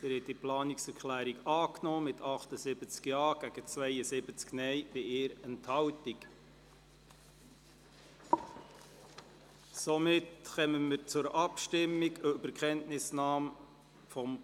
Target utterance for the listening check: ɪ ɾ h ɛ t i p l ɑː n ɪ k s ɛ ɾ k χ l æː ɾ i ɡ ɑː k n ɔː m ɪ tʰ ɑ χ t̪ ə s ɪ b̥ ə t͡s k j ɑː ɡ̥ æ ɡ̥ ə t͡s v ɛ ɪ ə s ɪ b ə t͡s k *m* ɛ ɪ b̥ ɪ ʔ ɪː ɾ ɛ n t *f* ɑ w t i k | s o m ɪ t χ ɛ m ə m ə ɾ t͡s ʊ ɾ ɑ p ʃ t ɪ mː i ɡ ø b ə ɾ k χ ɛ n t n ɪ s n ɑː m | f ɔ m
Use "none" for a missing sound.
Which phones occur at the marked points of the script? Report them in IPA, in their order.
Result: n, h

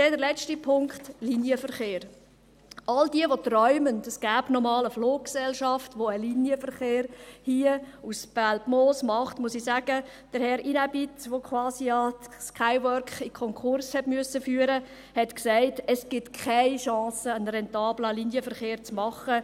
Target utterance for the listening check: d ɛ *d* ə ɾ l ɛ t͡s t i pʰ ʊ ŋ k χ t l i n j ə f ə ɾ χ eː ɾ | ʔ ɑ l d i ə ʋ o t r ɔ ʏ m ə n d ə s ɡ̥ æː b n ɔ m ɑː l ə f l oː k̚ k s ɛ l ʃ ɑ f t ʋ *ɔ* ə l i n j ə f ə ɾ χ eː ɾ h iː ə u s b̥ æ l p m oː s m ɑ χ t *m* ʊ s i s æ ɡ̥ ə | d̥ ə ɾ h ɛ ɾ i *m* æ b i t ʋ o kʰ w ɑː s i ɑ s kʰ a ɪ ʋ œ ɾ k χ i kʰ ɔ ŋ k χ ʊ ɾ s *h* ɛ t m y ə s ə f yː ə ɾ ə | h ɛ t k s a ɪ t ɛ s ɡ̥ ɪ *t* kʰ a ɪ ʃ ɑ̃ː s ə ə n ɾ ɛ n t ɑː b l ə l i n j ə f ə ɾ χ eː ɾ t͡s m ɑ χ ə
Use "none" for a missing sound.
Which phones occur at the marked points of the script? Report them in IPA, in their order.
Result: d, o, m, n, h, t

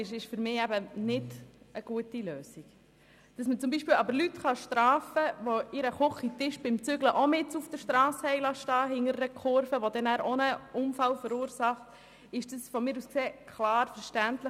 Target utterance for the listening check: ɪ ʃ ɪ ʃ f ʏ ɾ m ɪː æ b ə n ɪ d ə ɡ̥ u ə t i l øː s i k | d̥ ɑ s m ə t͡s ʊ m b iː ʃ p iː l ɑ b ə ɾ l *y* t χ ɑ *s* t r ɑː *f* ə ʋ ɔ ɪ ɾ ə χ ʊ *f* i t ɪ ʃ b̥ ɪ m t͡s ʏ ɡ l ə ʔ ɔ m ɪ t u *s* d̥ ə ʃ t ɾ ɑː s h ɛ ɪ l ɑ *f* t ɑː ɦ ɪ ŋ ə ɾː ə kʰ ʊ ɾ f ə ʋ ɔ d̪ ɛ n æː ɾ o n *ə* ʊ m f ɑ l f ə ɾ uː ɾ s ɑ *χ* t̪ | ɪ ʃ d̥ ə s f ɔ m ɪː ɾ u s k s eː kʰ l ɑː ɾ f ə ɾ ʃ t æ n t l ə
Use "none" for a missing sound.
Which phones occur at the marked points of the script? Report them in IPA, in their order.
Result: y, ʃ, f, χ, f, ʃ, ə, χ

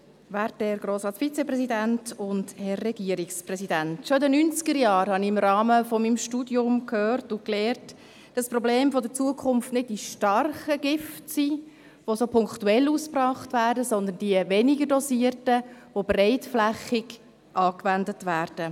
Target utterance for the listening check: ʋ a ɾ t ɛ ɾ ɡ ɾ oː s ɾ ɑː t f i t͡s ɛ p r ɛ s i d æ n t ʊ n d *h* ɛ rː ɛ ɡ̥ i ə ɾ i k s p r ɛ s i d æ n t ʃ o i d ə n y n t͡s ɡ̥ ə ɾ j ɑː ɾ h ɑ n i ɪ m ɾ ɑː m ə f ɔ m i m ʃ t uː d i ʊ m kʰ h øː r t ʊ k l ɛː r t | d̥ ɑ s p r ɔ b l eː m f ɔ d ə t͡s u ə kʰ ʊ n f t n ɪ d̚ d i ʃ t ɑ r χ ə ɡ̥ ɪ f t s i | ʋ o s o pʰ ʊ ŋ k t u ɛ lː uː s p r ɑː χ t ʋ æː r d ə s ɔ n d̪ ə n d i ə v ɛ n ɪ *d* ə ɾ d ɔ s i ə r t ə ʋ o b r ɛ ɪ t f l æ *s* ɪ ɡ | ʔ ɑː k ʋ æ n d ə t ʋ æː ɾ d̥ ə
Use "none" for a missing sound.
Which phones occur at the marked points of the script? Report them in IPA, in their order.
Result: h, ɡ, χ

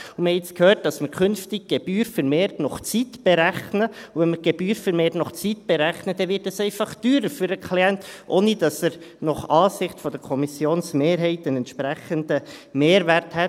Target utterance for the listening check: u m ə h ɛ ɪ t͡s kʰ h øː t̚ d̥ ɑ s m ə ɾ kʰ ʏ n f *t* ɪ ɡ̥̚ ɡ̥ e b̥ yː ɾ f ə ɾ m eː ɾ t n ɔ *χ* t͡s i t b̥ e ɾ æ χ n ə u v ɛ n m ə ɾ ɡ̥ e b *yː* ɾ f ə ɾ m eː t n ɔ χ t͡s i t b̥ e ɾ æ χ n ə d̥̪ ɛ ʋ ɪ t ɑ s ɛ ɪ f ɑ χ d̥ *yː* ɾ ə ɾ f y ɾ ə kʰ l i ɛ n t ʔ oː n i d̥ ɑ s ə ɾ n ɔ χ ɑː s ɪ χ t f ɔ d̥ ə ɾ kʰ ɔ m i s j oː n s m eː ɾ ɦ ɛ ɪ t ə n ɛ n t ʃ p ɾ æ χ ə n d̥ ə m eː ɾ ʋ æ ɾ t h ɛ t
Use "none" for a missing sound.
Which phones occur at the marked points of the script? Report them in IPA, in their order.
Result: t, χ, yː, yː

